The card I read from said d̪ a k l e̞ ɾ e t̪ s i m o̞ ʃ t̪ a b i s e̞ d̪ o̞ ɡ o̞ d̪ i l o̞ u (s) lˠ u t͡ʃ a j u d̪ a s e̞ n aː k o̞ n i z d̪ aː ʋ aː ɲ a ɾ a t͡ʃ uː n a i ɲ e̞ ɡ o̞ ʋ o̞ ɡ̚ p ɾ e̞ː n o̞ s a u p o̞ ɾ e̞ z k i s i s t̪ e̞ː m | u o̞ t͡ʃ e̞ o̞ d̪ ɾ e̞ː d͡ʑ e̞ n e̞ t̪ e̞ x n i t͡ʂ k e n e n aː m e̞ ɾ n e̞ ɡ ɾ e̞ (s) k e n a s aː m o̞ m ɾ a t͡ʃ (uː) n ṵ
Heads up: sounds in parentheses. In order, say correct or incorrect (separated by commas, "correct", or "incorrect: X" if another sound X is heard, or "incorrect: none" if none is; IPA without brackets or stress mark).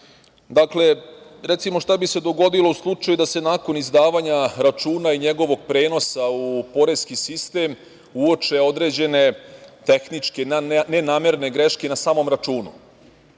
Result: correct, incorrect: ʃ, correct